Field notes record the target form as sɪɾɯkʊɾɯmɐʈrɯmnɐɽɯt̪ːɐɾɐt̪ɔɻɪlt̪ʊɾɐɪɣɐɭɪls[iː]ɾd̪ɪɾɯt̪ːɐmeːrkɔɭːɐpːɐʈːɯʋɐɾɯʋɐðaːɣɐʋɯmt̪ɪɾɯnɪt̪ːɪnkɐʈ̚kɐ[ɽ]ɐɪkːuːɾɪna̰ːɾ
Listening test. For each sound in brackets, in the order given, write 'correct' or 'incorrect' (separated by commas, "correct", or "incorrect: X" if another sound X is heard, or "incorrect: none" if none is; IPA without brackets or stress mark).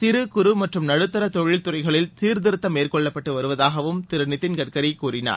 correct, incorrect: ɾ